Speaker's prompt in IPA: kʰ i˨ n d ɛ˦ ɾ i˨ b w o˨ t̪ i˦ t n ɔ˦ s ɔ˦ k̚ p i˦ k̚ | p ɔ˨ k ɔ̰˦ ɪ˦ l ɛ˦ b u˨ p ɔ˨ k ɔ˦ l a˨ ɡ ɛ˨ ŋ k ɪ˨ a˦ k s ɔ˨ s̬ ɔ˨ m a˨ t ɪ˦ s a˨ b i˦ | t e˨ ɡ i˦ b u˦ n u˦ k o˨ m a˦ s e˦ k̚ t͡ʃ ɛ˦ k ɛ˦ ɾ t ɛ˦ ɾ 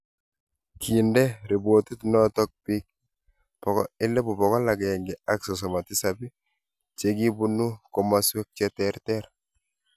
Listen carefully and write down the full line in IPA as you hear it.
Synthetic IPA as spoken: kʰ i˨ n d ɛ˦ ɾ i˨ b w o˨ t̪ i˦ t n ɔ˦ t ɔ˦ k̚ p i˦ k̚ | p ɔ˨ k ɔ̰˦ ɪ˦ l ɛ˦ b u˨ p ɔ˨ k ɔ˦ l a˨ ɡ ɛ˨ ŋ ɡ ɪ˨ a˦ k s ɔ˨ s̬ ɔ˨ m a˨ t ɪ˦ s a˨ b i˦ | t͡ʃ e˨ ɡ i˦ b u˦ n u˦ k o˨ m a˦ s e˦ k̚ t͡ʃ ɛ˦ t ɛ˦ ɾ t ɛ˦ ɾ